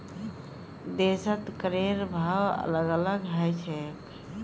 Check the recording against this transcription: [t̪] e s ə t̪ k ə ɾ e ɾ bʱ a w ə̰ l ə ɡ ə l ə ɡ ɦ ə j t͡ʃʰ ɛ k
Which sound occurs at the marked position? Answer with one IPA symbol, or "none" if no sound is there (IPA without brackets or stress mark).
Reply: d̪